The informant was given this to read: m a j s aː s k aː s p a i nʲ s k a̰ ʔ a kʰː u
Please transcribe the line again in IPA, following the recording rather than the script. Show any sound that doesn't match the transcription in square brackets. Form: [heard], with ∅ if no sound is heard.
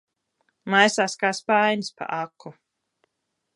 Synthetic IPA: m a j s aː s k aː s p a [j] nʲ s [p] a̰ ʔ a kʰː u